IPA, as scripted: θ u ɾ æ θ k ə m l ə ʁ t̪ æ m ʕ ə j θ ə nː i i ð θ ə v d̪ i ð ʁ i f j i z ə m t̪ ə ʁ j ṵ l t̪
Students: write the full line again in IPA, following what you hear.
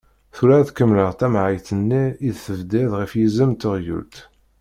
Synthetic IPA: θ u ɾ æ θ k ə m l ə ʁ t̪ æ m ʕ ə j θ ə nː i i ð θ ə v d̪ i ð ʁ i f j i z ə m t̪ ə ʁ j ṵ l t̪

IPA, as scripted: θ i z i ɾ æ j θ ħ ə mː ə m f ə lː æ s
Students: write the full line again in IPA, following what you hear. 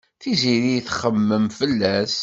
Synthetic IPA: θ i z i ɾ i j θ χ ə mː ə m f ə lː æ s

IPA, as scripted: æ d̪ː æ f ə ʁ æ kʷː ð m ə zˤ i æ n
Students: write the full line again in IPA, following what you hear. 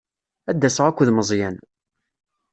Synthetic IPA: æ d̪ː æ s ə ʁ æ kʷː ð m ə zˤ j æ n

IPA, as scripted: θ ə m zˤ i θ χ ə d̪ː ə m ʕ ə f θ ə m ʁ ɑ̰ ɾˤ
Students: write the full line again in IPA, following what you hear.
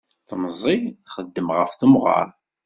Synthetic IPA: θ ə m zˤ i θ χ ə d̪ː ə m ʁ ə f θ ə m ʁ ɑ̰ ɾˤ

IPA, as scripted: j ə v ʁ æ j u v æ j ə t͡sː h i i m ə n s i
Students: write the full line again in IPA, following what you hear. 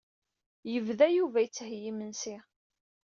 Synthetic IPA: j ə v ð æ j u v æ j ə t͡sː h j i m ə n s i

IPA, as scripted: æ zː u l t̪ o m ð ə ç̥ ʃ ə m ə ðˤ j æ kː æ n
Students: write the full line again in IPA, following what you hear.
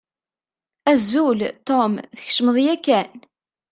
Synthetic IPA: æ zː u l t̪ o m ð ə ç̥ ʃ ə m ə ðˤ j æ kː æ n

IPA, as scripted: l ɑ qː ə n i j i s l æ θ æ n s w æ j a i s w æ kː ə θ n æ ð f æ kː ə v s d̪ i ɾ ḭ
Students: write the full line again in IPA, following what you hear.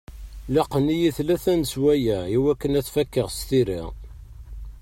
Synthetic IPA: l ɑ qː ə n i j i θ l æ θ æ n s w æ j æ i w æ kː ə n æ θ f æ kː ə ʁ s t̪ i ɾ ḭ

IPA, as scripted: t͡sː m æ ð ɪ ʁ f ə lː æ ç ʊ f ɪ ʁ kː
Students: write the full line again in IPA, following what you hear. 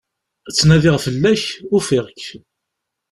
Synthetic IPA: t͡sː n æ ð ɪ ʁ f ə lː æ ç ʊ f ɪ ʁ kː

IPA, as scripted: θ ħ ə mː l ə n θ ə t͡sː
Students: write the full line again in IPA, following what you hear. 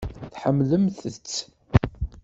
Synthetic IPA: θ ħ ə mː l ə m θ ə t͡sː

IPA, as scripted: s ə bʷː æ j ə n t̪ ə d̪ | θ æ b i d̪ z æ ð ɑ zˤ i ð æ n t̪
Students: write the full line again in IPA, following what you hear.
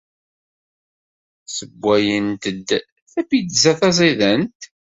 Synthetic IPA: s ə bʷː æ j ə n t̪ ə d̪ | θ æ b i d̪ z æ θ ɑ zˤ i ð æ n t̪

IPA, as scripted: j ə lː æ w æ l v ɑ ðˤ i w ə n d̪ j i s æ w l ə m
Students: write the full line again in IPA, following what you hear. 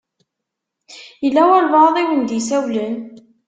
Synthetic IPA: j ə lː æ w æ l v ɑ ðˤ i w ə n d̪ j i s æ w l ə n

